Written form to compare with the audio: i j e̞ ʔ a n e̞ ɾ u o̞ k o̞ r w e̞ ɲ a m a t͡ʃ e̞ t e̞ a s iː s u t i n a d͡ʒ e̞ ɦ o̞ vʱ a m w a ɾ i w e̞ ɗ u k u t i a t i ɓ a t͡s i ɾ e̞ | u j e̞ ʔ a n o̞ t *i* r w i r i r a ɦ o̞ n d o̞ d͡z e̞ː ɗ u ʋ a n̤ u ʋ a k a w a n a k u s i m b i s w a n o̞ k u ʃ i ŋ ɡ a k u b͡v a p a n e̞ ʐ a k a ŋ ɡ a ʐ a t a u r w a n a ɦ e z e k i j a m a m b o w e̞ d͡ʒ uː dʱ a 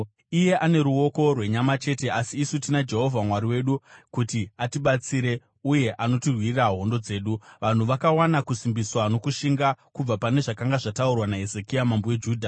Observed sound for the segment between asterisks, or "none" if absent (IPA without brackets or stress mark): i